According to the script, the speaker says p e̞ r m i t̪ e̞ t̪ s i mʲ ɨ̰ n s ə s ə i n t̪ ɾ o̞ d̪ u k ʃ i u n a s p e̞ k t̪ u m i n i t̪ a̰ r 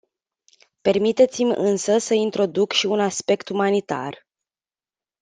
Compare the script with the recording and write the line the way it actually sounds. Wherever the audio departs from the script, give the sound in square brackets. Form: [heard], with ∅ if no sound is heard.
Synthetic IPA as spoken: p e̞ r m i t̪ e̞ t̪ s i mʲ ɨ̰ n s ə s ə i n t̪ ɾ o̞ d̪ u k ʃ i u n a s p e̞ k t̪ u m [a] n i t̪ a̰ r

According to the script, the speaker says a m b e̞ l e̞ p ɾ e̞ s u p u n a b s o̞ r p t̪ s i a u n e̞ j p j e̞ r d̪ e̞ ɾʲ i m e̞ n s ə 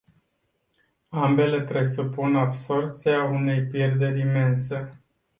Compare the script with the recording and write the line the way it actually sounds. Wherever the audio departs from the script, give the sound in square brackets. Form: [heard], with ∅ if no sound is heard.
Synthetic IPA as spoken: a m b e̞ l e̞ p ɾ e̞ s u p u n a b s o̞ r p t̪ s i a u n e̞ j p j e̞ r d̪ e̞ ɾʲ i m e̞ n s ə

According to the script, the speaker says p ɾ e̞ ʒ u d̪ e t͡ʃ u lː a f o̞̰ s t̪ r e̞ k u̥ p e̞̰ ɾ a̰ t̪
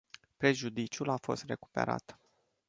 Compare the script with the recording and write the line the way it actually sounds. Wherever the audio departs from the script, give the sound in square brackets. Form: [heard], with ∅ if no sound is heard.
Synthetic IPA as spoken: p ɾ e̞ ʒ u d̪ [i] t͡ʃ u [l] a f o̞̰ s t̪ r e̞ k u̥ p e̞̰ ɾ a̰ t̪

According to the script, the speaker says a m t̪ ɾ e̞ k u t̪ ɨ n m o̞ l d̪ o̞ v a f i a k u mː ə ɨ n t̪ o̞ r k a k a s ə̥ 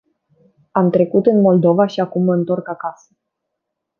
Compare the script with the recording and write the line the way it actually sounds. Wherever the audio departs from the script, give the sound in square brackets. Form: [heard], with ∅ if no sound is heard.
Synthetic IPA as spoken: a m t̪ ɾ e̞ k u t̪ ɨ n m o̞ l d̪ o̞ v a [ʃ] i a k u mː ə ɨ n t̪ o̞ r k a k a s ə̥

